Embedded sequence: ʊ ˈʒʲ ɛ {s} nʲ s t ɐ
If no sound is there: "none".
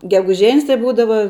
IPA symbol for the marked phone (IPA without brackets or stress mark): none